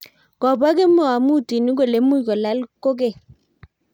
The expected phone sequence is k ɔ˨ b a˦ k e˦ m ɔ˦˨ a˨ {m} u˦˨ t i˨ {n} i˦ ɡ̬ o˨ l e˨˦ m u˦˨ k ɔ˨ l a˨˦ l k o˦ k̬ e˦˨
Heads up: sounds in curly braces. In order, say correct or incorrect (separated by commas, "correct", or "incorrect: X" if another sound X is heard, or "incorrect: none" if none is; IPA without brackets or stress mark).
correct, correct